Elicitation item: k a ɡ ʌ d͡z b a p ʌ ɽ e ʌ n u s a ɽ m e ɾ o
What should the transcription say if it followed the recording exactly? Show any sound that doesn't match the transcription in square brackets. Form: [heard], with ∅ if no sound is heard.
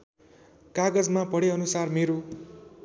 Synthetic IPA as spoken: k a ɡ ʌ d͡z [m] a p ʌ ɽ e ʌ n u s a [r] m e ɾ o